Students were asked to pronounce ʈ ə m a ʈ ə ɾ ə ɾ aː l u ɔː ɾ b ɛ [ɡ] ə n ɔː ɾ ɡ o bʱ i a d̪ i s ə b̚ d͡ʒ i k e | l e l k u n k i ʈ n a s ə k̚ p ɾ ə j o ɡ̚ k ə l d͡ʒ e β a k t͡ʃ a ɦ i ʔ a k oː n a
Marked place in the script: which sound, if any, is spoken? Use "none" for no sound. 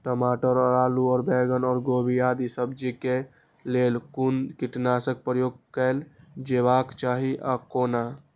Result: ɡ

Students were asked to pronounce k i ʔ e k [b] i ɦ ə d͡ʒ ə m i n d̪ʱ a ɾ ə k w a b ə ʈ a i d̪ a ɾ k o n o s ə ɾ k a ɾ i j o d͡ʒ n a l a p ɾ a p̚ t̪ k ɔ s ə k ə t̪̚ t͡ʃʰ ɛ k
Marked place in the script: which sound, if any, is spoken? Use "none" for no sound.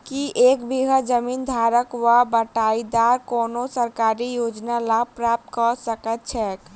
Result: b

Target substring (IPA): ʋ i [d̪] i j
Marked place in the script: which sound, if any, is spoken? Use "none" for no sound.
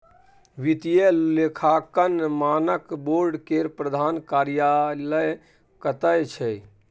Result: t̪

